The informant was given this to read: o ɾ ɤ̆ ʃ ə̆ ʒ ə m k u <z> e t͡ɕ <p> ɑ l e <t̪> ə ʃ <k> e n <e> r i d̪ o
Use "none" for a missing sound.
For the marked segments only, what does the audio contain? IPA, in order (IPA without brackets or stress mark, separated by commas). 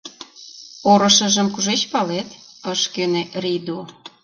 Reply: ʒ, p, t̪, k, e